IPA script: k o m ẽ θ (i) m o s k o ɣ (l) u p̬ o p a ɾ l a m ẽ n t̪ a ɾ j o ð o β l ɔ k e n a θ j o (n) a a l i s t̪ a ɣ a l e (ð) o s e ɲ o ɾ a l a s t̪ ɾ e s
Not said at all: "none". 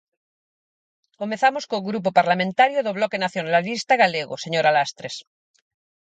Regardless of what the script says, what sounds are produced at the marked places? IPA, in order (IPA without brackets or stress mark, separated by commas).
a, ɾ, n, ɣ